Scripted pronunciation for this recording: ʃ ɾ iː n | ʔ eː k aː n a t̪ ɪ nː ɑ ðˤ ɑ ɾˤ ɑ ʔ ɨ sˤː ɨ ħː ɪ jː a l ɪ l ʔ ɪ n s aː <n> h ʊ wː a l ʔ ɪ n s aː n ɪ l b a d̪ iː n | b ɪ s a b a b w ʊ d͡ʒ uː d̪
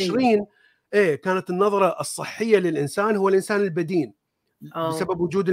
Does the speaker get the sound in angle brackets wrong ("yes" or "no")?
no